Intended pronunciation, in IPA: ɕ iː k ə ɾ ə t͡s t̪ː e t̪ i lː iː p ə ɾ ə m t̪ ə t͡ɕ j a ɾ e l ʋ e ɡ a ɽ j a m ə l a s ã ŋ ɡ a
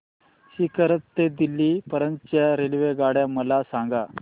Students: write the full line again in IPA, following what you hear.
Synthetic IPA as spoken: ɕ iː k ə ɾ ə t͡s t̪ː e d̪ i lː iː p ə ɾ ə n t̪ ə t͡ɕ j a ɾ e l ʋ e ɡ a ɽ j a m ə l a s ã ŋ ɡ a